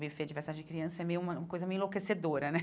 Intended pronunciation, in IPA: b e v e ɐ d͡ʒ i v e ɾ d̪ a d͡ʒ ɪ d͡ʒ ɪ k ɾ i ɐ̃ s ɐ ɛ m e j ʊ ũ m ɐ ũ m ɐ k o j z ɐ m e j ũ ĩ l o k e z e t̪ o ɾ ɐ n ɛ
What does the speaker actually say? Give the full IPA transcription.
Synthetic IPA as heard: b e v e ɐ d͡ʒ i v e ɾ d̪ a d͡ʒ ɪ d͡ʒ ɪ k ɾ i ɐ̃ s ɐ ɛ m e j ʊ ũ m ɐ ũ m ɐ k o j z ɐ m e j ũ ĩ l o k e s e d̪ o ɾ ɐ n ɛ